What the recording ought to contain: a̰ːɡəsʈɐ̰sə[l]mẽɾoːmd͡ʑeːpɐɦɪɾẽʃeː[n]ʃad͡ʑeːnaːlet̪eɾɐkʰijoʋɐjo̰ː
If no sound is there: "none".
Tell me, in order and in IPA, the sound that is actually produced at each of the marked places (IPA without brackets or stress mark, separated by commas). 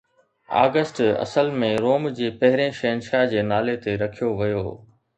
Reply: l, n